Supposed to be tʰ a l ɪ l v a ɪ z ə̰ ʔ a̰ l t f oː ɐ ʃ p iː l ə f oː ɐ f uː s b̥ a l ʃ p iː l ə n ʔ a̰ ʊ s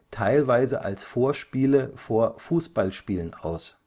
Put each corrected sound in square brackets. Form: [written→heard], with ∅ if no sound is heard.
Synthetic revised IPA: tʰ a [l→∅] ɪ l v a ɪ z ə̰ ʔ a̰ l [t→s] f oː ɐ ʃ p iː l ə f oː ɐ f uː s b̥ a l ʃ p iː l ə n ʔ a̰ ʊ s